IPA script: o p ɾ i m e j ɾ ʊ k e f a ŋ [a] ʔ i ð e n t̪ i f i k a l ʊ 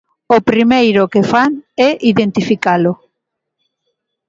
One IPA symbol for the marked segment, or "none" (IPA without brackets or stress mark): ɛ